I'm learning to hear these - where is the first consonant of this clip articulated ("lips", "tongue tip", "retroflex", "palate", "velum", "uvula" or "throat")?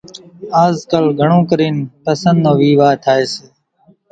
tongue tip